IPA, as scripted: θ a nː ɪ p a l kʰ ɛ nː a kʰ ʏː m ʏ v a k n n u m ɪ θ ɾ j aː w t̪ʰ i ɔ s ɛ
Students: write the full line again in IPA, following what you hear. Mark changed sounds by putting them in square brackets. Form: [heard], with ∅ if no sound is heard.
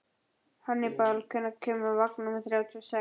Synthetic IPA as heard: [h] a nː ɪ p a l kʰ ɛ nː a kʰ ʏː m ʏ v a k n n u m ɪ θ ɾ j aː w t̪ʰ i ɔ s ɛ